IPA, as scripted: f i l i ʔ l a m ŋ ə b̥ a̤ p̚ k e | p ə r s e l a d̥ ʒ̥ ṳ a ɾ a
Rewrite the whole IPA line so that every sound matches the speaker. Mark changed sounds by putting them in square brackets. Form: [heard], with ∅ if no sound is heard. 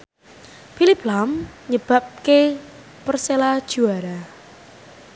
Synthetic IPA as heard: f i l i [p] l a m [ɲ] ə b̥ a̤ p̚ k e | p ə r s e l a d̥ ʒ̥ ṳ a ɾ a